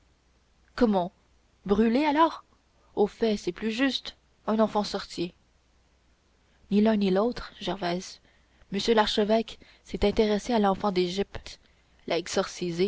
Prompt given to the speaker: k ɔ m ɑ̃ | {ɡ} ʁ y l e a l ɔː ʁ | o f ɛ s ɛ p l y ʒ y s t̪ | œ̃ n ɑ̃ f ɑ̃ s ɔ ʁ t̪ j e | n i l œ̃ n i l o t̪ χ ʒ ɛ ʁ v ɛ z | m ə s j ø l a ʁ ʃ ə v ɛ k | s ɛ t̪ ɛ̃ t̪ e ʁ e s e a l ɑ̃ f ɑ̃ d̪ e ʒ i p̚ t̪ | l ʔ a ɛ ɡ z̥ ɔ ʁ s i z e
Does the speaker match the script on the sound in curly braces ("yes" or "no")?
no